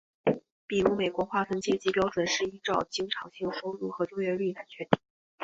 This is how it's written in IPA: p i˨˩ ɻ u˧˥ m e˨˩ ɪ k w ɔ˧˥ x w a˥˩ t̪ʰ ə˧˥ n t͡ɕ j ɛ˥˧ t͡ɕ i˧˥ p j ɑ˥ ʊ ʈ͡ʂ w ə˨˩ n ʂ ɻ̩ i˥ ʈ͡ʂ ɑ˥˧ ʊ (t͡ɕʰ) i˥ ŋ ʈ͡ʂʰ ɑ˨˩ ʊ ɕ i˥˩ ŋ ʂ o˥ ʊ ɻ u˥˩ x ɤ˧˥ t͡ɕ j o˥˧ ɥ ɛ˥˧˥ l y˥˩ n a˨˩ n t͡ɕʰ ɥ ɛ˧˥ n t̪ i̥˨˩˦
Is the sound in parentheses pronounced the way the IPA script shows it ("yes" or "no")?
no